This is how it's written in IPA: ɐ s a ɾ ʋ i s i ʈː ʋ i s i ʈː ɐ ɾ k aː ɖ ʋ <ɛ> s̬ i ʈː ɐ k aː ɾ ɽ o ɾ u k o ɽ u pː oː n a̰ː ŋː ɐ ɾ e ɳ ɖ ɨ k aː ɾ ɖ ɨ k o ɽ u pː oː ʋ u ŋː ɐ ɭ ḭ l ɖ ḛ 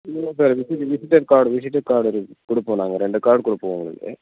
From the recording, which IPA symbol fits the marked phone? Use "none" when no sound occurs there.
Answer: i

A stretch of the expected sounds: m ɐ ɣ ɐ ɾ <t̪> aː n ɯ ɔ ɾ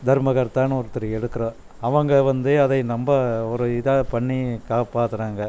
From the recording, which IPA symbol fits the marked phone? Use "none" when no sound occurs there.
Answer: t̪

